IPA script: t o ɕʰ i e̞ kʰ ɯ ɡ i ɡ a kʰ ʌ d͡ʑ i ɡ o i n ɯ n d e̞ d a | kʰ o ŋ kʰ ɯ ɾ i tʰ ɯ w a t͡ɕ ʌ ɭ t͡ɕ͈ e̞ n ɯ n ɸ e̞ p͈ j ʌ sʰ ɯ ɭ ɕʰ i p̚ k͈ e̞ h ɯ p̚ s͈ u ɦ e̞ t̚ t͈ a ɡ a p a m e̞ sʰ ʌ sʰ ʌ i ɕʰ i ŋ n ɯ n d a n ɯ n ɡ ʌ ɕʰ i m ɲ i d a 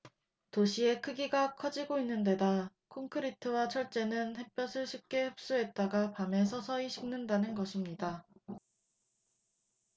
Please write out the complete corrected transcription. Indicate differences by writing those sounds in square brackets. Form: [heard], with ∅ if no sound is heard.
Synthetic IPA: t o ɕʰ i e̞ kʰ ɯ ɡ i ɡ a kʰ ʌ d͡ʑ i ɡ o i [nː] ɯ n d e̞ d a | kʰ o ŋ kʰ ɯ ɾ i tʰ ɯ w a [t͡ɕʰ] ʌ ɭ t͡ɕ͈ e̞ n ɯ n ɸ e̞ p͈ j ʌ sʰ ɯ ɭ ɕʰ i p̚ k͈ e̞ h ɯ p̚ s͈ u ɦ e̞ t̚ t͈ a ɡ a p a m e̞ sʰ ʌ sʰ ʌ i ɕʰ i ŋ n ɯ n d a n ɯ n ɡ ʌ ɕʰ i m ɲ i d a